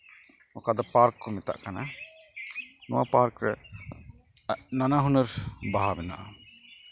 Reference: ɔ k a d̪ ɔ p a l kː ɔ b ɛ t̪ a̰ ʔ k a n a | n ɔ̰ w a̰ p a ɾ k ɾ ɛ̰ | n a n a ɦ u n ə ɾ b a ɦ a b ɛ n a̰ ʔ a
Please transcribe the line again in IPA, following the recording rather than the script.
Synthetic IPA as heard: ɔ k a d̪ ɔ p a ɾ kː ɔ m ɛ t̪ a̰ ʔ k a n a | n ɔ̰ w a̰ p a ɾ k ɾ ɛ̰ | n a n a ɦ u n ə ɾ b a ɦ a b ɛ n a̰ ʔ a